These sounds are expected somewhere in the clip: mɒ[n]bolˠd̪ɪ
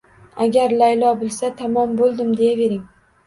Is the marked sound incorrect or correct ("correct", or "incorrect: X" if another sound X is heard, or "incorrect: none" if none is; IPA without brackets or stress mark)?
incorrect: m